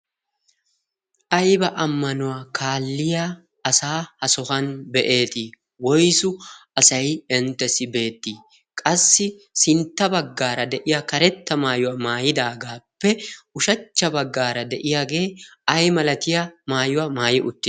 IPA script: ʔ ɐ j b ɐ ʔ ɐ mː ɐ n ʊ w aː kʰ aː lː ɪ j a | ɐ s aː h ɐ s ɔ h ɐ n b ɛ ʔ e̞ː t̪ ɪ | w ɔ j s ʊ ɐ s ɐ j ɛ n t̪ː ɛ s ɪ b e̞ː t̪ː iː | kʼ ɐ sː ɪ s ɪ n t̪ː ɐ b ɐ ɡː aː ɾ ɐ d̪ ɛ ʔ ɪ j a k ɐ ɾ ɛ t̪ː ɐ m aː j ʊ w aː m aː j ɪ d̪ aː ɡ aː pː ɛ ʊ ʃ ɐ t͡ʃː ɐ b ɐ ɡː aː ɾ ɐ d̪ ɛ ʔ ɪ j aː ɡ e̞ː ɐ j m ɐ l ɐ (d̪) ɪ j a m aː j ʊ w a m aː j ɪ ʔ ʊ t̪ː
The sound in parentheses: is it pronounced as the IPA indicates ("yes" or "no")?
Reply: no